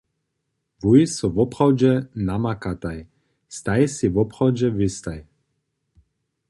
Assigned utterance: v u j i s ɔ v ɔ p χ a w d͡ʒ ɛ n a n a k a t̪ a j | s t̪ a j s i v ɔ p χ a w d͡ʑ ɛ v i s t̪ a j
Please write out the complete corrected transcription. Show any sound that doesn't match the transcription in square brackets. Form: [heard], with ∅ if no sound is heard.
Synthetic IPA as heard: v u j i s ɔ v ɔ p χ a w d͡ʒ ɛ n a [m] a k a t̪ a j | s t̪ a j s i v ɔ p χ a w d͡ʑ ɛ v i s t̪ a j